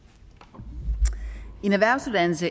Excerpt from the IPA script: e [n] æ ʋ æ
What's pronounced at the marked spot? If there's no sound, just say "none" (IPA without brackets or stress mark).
n